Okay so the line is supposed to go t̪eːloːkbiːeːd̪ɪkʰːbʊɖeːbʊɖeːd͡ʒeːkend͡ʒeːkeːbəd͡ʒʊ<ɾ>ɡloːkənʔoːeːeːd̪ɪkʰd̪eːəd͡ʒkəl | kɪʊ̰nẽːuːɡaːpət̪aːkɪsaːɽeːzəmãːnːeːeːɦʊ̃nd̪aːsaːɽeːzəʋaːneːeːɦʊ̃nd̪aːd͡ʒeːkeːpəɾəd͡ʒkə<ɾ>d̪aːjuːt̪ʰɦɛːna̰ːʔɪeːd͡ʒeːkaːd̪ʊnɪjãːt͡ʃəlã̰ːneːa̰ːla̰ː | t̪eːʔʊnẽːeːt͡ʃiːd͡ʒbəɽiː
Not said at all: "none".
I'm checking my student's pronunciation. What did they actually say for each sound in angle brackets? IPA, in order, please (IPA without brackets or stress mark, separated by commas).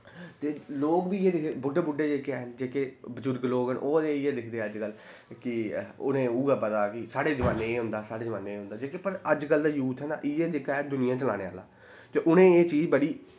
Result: ɾ, l